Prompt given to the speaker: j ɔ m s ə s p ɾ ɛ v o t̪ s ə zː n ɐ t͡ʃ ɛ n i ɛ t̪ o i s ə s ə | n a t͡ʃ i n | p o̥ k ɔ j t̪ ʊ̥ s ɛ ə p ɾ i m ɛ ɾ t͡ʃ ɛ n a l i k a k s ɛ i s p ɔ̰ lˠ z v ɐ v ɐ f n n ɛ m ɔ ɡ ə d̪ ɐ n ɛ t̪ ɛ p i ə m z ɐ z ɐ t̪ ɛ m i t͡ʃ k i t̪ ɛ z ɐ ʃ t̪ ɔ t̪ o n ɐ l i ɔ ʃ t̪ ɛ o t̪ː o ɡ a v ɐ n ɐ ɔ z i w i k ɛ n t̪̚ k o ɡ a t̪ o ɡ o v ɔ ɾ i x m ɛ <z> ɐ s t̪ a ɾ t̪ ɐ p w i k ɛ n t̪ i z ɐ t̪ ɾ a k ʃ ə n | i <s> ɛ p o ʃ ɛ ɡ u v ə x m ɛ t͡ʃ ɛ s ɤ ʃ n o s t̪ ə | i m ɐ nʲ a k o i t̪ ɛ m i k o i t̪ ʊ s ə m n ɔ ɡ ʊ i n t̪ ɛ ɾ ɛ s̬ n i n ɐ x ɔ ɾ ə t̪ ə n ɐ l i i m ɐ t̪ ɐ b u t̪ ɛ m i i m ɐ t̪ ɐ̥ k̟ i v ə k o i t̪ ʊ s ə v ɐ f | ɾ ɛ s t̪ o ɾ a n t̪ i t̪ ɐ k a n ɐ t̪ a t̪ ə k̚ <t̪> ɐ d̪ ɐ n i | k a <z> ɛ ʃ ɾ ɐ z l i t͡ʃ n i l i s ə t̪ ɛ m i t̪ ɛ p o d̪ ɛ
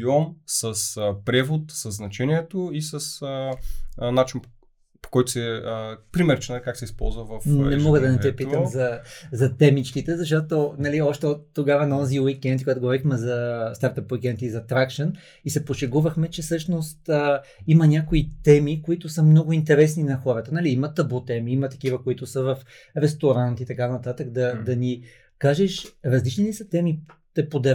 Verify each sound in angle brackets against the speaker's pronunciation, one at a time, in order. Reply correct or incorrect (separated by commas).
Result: correct, correct, incorrect, incorrect